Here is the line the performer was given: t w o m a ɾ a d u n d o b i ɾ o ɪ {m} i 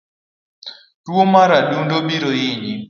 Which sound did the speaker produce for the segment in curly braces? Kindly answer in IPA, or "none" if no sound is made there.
ɲ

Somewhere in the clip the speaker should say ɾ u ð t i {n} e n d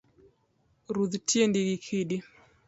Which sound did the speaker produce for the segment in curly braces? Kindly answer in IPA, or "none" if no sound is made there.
none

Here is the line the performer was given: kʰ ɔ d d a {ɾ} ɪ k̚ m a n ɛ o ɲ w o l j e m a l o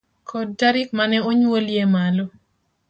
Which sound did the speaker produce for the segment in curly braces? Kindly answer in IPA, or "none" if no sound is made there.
ɾ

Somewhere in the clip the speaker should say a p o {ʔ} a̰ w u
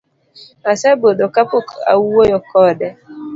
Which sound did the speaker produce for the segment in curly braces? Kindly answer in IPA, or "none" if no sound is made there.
k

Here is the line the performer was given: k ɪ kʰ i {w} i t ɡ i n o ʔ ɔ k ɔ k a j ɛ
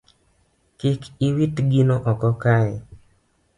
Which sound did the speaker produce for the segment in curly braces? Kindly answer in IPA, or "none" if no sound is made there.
w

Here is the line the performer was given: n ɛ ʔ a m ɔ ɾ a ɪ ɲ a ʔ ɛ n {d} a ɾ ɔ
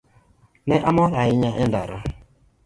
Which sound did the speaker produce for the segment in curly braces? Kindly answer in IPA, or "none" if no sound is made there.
d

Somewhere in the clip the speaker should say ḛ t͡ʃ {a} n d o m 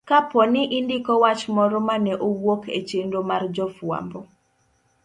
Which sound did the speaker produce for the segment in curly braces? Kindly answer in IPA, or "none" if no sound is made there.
e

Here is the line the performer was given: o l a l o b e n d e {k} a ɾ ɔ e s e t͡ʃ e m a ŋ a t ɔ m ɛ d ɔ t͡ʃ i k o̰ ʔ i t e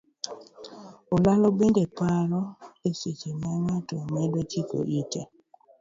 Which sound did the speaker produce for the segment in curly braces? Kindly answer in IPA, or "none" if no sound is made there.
p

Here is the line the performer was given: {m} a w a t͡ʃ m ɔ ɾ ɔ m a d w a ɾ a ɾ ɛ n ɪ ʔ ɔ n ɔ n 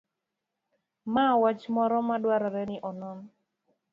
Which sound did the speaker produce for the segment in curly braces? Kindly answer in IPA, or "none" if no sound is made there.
m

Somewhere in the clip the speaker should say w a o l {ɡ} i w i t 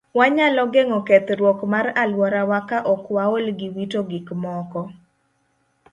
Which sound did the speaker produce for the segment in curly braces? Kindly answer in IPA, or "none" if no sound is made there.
ɡ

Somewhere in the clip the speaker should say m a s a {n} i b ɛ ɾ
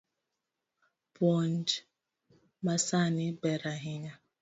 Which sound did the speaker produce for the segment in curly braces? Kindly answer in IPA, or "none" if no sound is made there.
n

